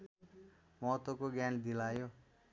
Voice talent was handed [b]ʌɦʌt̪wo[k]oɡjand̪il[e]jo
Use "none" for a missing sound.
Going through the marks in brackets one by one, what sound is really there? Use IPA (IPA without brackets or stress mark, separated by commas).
m, k, a